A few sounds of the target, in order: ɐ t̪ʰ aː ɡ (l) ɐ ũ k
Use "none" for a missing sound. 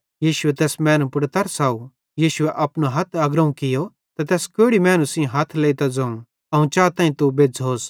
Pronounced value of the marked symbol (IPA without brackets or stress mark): ɾ